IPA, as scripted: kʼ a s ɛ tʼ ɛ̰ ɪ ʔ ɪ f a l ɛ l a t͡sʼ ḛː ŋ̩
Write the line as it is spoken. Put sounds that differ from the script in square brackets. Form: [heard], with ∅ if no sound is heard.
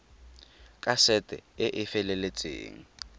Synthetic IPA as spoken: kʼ a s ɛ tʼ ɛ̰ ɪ ʔ ɪ f [ɛ] l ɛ l [e] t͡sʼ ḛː ŋ̩